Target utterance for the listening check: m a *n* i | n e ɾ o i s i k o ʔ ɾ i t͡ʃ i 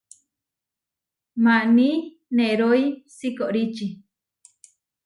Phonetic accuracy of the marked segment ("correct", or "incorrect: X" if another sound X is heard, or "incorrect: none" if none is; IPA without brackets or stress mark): correct